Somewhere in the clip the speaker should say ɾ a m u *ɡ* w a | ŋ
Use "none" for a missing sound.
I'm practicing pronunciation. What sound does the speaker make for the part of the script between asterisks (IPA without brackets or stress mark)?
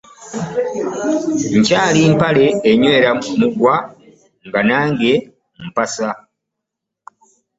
ɡ